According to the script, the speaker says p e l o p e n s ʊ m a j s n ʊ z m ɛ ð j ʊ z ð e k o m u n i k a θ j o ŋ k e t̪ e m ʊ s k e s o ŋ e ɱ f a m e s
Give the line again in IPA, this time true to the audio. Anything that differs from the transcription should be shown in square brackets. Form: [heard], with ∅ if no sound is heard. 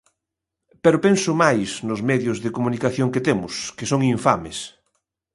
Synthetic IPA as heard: p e [ɾ] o p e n s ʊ m a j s n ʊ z m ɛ ð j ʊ z ð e k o m u n i k a θ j o ŋ k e t̪ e m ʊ s k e s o ŋ [i] ɱ f a m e s